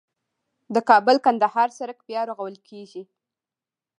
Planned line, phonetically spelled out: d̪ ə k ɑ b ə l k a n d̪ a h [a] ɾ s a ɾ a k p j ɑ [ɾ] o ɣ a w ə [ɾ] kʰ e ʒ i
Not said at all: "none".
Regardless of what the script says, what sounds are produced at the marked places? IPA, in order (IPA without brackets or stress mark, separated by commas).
ɑ, ɾ, l